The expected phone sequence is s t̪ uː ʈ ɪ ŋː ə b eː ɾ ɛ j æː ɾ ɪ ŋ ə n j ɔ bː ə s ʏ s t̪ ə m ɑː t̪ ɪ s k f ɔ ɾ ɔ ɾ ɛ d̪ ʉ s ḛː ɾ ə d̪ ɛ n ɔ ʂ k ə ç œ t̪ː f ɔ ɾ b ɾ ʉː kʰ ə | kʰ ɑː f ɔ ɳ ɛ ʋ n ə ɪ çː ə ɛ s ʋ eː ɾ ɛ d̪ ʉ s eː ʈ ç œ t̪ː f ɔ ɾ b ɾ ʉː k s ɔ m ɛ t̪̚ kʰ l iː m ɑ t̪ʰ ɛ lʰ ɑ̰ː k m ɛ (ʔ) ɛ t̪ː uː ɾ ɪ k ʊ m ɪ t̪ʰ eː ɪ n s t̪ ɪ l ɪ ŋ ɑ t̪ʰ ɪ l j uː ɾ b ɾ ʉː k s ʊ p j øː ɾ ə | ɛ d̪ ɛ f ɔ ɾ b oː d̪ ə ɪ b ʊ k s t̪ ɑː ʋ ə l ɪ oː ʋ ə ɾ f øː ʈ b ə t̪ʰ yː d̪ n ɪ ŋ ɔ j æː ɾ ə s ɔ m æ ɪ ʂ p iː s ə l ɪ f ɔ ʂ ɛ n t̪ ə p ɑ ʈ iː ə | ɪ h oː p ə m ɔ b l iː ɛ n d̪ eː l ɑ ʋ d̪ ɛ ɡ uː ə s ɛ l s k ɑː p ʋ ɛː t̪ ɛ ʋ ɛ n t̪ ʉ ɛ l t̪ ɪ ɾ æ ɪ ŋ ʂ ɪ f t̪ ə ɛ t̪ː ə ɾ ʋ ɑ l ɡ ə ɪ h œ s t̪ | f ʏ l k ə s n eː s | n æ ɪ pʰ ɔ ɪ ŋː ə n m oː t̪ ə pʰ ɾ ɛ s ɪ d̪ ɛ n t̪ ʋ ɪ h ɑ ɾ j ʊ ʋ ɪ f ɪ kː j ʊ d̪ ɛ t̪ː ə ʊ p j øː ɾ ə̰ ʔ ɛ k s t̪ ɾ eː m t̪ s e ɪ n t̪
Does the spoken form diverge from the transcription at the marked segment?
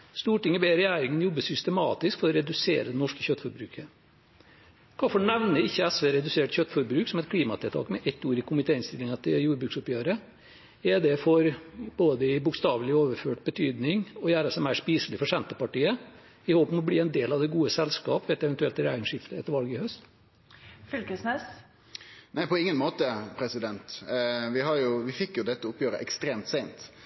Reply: no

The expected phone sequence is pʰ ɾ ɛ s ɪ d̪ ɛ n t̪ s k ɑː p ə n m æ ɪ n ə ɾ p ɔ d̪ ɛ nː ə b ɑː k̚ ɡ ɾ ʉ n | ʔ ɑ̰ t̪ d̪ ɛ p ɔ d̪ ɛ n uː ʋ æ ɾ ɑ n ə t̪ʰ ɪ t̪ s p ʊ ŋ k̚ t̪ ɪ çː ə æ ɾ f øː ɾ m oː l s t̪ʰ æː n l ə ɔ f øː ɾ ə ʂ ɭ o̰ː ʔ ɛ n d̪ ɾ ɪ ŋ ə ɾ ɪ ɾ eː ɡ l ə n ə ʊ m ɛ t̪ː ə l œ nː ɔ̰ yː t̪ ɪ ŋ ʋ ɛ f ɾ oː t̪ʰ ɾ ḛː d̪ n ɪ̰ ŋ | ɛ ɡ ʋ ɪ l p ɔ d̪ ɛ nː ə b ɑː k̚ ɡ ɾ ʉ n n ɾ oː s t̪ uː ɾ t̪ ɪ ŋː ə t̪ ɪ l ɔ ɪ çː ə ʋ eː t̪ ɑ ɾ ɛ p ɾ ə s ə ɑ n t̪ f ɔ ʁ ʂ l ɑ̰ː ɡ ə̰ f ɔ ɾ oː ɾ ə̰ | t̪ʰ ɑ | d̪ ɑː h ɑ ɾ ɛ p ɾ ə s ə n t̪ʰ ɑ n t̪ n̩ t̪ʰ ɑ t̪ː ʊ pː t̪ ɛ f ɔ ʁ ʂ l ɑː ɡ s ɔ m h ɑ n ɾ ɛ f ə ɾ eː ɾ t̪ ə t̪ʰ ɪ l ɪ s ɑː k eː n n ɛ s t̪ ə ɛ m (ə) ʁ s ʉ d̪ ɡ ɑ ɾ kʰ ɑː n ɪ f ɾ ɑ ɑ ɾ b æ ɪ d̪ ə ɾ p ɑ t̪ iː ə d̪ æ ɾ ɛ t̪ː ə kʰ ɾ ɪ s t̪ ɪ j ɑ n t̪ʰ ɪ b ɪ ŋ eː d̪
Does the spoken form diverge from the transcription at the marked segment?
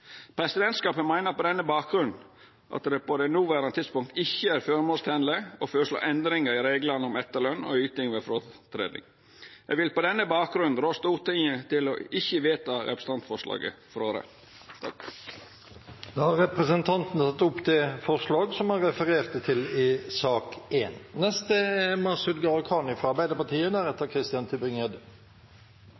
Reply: yes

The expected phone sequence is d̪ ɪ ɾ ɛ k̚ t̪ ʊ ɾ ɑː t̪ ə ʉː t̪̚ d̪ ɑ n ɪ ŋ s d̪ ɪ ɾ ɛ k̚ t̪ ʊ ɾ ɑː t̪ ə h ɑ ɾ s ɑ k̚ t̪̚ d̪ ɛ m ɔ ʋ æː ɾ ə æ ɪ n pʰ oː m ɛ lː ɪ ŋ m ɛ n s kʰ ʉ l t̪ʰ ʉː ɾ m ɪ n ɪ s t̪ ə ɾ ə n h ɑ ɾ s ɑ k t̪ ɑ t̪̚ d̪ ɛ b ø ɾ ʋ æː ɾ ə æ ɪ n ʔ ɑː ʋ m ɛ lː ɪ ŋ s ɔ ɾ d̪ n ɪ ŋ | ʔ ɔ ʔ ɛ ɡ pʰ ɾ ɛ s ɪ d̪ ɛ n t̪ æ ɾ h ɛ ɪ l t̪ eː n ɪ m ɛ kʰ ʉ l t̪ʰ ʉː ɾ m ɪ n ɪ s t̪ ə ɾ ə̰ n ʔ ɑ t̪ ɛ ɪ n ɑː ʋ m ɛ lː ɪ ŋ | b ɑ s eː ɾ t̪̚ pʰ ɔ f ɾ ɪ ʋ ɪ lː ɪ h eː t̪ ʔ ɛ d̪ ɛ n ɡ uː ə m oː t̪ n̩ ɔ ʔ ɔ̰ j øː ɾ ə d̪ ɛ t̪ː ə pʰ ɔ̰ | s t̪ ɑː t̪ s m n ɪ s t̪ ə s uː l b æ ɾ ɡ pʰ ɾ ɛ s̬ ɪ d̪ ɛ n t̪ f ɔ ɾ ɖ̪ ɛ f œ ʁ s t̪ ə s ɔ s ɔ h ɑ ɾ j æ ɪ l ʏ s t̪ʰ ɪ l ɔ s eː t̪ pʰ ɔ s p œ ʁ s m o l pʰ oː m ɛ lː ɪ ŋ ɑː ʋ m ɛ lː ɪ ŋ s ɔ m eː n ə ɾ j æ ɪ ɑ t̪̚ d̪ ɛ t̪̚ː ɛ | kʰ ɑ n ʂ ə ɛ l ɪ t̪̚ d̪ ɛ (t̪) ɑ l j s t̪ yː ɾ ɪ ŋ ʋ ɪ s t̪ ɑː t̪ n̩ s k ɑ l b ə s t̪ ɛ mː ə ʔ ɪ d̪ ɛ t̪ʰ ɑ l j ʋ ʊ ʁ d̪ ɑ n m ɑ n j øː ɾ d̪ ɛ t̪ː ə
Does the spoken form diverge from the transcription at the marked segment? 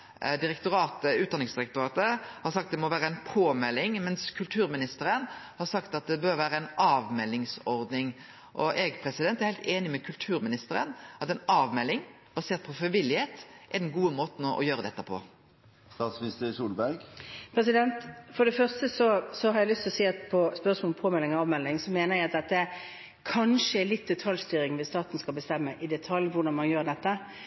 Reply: yes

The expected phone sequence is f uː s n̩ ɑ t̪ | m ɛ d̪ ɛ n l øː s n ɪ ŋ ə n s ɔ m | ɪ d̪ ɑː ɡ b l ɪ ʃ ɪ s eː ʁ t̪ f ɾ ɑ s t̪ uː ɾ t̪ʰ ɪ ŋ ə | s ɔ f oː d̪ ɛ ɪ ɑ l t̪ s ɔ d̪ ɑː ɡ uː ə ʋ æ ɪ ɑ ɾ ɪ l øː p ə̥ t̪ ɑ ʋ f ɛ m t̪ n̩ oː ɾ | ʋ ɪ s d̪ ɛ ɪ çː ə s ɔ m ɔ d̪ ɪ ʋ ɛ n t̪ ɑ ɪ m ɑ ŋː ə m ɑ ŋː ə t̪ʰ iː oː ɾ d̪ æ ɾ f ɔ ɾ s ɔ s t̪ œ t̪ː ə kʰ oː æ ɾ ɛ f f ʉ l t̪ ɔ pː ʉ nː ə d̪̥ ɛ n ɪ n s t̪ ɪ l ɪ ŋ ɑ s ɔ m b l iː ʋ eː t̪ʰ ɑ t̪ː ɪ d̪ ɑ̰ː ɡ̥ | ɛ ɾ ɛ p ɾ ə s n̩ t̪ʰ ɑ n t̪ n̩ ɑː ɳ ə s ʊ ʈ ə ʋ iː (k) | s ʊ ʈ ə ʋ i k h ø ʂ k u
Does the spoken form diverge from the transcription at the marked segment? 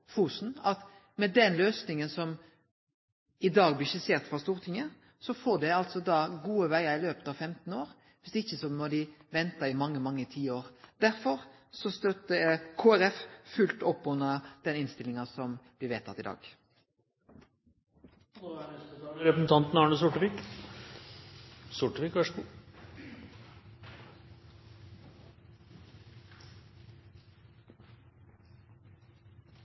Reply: no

